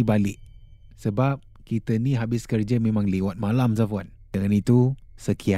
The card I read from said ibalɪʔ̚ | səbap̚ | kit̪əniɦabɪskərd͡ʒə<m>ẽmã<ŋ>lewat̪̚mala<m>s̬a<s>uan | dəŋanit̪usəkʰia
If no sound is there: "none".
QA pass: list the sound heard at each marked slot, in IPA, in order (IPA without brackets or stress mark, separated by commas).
m, ŋ, m, f